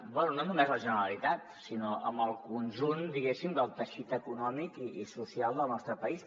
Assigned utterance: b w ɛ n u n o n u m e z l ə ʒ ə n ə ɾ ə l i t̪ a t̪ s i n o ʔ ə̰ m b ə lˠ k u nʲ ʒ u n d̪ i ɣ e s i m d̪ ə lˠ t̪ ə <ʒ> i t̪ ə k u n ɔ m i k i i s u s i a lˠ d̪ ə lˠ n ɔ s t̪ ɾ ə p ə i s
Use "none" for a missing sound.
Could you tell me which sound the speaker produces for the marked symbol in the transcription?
ʃ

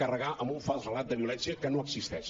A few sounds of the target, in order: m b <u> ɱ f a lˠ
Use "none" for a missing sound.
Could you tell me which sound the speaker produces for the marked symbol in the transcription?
u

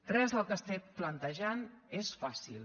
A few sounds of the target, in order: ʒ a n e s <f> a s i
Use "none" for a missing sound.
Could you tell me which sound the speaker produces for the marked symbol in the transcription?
f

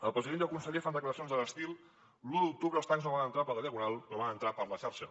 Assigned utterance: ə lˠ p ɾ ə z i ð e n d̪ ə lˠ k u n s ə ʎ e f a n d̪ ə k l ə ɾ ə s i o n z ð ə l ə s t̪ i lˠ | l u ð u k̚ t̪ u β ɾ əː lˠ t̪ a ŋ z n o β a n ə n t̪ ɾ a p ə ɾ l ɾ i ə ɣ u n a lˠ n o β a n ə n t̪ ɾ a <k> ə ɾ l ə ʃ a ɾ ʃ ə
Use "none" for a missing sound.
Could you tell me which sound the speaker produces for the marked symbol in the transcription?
p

